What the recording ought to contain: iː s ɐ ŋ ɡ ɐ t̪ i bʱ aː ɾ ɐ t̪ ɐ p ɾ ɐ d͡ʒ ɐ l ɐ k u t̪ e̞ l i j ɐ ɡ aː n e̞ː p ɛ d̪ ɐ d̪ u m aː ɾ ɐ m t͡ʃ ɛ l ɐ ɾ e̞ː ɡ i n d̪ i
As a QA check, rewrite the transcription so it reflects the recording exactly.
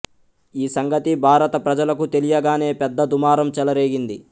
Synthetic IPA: iː s ɐ ŋ ɡ ɐ t̪ i bʱ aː ɾ ɐ t̪ ɐ p ɾ ɐ d͡ʒ ɐ l ɐ k u t̪ e̞ l i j ɐ ɡ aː n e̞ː p ɛ d̪ː ɐ d̪ u m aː ɾ ɐ m t͡ʃ ɛ l ɐ ɾ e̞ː ɡ i n d̪ i